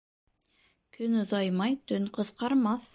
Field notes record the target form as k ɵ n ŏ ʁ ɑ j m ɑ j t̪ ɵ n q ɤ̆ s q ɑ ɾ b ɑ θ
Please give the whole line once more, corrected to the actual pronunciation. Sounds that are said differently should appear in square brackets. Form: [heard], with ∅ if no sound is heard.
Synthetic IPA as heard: k ɵ n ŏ [ð] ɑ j m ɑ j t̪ ɵ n q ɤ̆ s q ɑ ɾ [m] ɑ θ